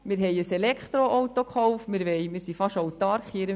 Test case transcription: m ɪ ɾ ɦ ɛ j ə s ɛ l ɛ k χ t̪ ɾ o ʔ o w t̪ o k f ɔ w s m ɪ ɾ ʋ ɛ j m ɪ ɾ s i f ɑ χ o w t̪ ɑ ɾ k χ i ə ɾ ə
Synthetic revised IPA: m ɪ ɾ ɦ ɛ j ə s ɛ l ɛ k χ t̪ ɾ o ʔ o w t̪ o k χ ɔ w f m ɪ ɾ ʋ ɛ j m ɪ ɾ s i f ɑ ʃ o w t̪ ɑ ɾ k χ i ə ɾ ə